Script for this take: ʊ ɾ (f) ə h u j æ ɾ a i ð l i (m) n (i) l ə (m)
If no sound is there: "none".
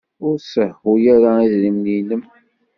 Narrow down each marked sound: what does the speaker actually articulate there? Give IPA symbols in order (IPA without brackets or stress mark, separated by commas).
s, m, i, m